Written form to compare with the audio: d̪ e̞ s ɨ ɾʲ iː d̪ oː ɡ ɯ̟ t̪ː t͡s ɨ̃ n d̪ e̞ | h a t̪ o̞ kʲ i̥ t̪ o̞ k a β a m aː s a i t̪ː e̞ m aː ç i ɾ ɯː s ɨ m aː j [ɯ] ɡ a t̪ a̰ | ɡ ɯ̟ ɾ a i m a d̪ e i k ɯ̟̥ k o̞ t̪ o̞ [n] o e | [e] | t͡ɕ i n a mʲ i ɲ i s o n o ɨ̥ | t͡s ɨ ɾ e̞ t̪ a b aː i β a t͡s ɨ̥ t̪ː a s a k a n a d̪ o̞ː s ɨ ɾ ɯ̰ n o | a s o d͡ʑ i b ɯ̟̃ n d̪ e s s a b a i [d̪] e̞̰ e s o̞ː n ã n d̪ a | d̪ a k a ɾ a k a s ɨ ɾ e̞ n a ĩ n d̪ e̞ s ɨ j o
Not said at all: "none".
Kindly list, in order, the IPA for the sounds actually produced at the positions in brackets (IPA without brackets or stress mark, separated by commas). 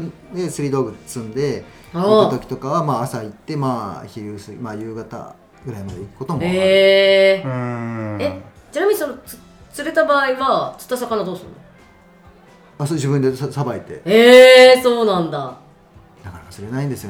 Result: ɯː, m, e, t̪